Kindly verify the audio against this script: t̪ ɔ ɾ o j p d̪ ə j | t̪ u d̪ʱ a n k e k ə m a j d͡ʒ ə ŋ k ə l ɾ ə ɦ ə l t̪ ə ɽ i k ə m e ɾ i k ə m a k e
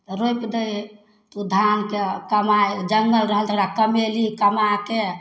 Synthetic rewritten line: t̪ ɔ ɾ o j p d̪ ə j | t̪ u d̪ʱ a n k e k ə m a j d͡ʒ ə ŋ ɡ ə l ɾ ə ɦ ə l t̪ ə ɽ a k ə m e l i k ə m a k e